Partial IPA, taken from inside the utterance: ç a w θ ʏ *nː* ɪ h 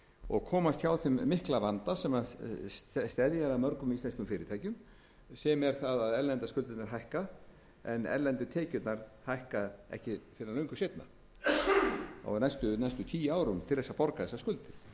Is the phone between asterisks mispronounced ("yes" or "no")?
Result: yes